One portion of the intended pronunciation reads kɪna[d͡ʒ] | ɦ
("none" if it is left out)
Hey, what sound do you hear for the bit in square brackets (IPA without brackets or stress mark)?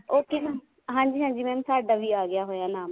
none